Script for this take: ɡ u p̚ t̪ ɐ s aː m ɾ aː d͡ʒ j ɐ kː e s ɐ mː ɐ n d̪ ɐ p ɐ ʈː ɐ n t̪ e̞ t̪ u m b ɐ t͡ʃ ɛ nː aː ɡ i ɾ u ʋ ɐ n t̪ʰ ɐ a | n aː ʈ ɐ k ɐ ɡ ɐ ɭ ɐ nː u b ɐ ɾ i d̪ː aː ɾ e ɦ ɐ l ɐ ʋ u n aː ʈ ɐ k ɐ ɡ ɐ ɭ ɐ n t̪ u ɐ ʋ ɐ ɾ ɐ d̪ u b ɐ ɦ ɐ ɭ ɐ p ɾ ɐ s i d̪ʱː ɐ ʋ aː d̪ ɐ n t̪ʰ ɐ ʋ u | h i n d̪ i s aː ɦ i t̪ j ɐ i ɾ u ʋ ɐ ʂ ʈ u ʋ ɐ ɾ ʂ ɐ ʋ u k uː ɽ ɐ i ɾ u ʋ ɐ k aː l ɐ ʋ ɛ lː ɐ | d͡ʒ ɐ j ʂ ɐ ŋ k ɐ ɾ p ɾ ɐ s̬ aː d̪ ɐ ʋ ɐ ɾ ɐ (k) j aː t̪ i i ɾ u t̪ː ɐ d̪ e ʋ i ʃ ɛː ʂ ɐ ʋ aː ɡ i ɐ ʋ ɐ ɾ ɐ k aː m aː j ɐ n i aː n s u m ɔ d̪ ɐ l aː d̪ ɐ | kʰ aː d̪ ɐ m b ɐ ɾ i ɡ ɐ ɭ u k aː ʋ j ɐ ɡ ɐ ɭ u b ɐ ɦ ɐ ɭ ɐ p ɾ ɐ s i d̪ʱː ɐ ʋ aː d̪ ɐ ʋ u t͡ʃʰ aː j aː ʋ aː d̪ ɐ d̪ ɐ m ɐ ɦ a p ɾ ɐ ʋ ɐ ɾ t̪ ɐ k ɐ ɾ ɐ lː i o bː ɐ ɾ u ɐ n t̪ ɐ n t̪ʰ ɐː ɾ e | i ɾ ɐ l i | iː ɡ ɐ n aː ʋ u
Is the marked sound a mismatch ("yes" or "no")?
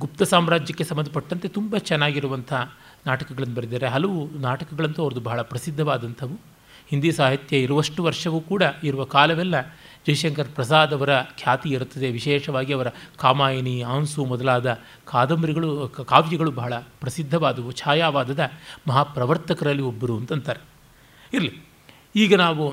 yes